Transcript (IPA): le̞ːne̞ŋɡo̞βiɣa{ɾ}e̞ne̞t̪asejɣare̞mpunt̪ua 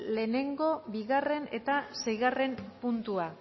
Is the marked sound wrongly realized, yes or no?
yes